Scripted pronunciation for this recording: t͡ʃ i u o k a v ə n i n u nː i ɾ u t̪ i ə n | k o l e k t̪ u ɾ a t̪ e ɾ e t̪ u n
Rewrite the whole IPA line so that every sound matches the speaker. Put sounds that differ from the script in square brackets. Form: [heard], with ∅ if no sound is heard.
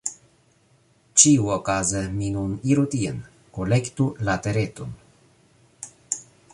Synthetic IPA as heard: t͡ʃ i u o k a [z] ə [m] i n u [n] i ɾ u t̪ i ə n | k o l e k t̪ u [l] a t̪ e ɾ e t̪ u n